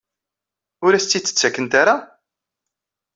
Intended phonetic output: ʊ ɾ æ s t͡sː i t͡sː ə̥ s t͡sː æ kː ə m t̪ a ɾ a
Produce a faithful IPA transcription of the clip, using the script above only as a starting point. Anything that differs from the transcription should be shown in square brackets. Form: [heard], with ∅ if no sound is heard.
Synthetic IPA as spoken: ʊ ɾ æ s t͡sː i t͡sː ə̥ [∅] t͡sː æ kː ə [n] t̪ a ɾ a